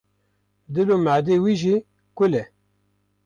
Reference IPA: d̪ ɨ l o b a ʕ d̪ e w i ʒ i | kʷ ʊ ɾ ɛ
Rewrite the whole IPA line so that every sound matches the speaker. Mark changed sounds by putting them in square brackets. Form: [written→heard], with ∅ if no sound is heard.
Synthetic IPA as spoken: d̪ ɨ l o [b→m] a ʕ d̪ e w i ʒ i | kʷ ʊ [ɾ→l] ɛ